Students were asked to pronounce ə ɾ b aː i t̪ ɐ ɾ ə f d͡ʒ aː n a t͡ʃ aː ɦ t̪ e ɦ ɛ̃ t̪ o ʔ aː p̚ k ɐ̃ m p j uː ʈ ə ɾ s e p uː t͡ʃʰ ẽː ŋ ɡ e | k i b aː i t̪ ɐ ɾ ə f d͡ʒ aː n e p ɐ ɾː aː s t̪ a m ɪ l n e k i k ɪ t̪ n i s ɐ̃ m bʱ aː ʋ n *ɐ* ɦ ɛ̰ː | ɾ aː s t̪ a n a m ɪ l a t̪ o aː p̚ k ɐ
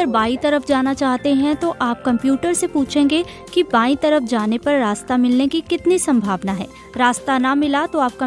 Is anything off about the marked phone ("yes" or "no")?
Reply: yes